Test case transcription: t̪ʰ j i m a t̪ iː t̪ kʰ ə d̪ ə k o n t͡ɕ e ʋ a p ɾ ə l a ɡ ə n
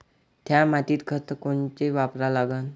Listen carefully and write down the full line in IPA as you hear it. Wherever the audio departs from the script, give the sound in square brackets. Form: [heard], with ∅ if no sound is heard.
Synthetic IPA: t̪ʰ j [a] m a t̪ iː t̪ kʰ ə [t̪] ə k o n t͡ɕ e ʋ a p ɾ [a] l a ɡ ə n